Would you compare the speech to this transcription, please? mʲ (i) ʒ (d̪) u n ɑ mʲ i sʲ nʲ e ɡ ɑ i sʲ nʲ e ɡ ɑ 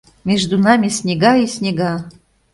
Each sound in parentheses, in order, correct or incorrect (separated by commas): incorrect, correct